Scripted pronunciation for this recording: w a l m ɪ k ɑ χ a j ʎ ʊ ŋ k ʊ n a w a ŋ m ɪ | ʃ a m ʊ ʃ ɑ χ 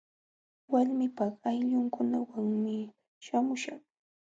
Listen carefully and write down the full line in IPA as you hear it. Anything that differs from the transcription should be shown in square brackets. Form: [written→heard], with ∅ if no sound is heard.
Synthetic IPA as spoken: w a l m ɪ [k→p] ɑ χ a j ʎ ʊ ŋ k ʊ n a w a ŋ m ɪ | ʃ a m ʊ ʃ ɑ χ